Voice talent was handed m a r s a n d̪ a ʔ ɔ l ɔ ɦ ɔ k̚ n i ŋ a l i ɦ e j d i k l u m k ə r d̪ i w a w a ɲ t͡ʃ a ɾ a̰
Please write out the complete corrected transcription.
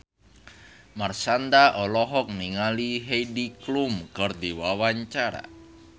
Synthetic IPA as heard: m a r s a n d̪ a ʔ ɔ l ɔ ɦ ɔ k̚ n i ŋ a l i ɦ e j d i k l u m k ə r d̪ i w a w a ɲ t͡ʃ a ɾ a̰